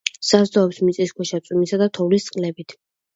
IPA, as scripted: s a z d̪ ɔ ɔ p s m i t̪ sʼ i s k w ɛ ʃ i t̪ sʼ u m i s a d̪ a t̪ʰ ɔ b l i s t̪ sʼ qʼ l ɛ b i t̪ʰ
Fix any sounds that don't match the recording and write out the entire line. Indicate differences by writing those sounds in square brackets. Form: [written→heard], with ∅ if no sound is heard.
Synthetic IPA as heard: s a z d̪ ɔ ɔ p s m i t̪ sʼ i s k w ɛ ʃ [i→a] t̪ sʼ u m i s a d̪ a t̪ʰ ɔ [b→v] l i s t̪ sʼ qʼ l ɛ b i t̪ʰ